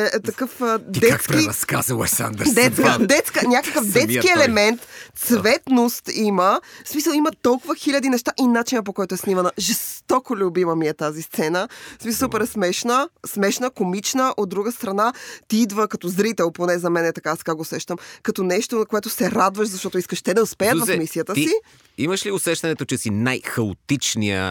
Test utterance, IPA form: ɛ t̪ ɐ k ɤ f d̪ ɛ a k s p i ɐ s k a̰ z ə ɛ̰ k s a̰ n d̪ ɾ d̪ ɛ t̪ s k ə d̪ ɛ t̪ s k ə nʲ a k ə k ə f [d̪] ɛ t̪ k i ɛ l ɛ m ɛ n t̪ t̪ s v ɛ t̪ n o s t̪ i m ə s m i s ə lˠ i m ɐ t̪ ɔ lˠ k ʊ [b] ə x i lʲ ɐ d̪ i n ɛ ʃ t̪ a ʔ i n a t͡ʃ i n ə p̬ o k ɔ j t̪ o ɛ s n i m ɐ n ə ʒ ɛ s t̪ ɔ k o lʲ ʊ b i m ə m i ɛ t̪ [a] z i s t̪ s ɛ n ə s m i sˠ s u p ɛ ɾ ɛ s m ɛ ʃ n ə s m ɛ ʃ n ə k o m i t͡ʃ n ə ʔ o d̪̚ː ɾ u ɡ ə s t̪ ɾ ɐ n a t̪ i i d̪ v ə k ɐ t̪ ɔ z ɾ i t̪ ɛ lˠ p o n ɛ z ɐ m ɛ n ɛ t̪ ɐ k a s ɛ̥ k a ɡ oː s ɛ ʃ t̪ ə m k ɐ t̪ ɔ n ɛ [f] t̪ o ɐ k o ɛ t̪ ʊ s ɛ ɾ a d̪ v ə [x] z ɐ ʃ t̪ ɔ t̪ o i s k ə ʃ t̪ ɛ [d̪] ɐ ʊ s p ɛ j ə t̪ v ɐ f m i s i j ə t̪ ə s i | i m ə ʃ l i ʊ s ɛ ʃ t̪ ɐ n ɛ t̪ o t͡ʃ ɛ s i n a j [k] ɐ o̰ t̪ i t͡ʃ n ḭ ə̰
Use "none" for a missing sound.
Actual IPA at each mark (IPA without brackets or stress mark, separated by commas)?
d̪, v, a, ʃ, ʃ, d̪, x